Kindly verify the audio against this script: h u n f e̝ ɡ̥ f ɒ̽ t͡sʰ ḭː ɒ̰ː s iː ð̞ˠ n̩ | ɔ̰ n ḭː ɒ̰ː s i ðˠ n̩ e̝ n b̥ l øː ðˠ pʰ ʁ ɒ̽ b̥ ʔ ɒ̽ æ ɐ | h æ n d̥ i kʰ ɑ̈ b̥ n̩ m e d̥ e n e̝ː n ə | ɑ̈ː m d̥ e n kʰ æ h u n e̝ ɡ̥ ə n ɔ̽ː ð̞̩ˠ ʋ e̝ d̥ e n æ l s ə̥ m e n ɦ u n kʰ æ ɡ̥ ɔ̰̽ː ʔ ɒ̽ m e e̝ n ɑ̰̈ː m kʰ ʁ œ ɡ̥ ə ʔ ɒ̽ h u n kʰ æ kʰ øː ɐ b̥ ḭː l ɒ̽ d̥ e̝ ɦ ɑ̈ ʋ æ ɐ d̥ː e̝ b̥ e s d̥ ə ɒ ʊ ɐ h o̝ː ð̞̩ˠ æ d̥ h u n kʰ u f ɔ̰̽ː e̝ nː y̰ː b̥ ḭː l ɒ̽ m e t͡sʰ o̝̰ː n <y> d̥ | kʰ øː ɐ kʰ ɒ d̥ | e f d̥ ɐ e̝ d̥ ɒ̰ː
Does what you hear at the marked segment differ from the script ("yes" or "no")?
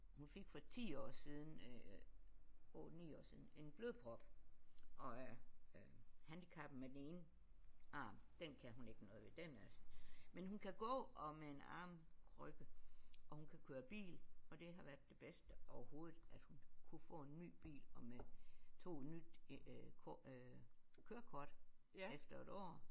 no